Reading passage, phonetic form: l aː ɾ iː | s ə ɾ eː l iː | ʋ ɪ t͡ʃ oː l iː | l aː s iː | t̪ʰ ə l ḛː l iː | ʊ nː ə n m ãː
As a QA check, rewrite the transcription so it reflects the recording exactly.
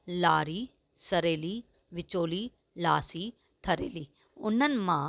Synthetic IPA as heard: l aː ɾ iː | s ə ɾ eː l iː | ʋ ɪ t͡ʃ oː l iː | l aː s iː | t̪ʰ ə ɾ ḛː l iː | ʊ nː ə n m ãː